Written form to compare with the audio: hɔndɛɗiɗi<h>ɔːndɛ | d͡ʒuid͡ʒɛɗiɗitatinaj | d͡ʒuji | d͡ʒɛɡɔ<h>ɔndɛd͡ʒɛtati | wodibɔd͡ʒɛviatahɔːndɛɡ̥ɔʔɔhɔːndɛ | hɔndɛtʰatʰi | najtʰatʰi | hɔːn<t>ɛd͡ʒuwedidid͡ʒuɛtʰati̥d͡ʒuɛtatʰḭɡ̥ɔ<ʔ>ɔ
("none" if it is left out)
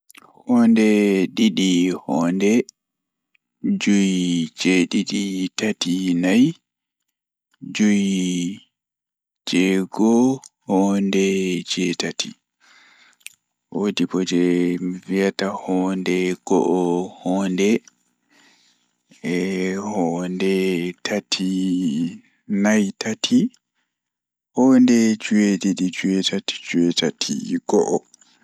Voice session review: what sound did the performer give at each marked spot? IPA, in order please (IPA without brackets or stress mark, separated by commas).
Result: h, h, d, ʔ